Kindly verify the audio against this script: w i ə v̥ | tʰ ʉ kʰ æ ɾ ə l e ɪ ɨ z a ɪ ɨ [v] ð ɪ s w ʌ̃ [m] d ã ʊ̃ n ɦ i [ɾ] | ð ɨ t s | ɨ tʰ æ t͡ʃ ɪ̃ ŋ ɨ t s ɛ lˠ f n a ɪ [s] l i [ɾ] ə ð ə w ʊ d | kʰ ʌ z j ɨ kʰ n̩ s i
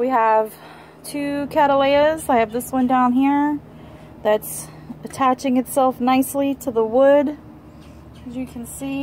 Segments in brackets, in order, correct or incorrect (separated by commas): correct, incorrect, incorrect, correct, correct